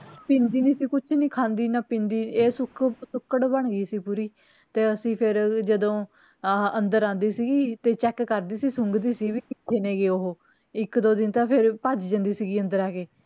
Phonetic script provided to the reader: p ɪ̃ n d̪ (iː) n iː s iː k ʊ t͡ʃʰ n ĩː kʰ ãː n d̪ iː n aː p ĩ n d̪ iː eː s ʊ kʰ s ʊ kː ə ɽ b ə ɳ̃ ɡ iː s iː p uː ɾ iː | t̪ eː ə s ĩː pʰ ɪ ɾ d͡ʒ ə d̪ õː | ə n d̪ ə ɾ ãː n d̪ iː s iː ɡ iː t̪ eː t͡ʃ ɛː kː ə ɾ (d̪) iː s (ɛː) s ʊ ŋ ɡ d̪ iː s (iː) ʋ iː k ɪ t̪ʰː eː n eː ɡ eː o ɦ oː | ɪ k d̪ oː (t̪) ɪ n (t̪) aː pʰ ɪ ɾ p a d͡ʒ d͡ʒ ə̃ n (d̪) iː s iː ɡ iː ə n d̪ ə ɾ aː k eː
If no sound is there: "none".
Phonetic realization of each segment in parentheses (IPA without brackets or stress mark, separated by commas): iː, d̪, iː, iː, d̪, t̪, d̪